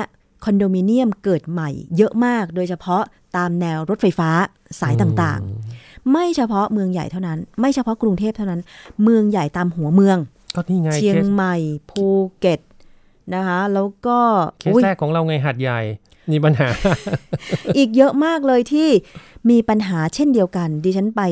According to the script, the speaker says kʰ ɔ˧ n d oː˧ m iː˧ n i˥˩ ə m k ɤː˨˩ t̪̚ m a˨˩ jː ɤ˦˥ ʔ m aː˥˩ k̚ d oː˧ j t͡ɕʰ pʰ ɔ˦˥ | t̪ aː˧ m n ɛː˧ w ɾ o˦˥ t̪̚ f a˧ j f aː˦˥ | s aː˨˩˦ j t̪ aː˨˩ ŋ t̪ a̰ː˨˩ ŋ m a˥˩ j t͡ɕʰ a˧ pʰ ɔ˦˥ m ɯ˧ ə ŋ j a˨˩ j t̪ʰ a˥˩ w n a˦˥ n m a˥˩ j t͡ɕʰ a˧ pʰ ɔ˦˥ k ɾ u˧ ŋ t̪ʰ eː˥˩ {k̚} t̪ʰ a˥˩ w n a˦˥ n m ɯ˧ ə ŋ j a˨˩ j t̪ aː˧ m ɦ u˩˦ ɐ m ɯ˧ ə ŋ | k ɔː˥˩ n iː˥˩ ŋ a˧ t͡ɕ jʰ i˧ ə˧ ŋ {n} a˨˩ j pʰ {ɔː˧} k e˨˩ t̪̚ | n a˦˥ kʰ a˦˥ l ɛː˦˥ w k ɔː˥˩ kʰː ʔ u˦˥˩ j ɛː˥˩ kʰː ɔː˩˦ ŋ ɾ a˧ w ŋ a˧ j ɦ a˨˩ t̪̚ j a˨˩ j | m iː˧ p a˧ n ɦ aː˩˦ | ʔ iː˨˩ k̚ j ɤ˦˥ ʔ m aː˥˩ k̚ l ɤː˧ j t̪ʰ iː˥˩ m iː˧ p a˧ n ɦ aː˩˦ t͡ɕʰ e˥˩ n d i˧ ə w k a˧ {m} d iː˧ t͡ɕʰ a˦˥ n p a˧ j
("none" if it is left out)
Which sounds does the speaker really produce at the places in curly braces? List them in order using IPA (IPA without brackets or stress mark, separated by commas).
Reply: p̚, m, uː˧, n